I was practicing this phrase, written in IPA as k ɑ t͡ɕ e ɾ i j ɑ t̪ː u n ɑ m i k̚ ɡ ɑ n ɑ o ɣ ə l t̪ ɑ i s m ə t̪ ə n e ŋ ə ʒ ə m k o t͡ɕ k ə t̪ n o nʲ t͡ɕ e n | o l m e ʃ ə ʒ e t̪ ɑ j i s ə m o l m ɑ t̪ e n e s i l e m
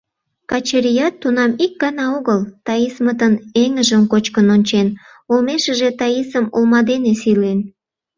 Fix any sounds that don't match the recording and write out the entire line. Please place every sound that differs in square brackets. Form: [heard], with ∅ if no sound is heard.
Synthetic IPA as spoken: k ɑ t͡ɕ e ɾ i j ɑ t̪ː u n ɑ m i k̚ ɡ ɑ n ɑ o ɣ ə l t̪ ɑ i s m ə t̪ ə n e ŋ ə ʒ ə m k o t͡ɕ k ə [∅] n o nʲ t͡ɕ e n | o l m e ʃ ə ʒ e t̪ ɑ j i s ə m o l m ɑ [d̪] e n e s i l e [n]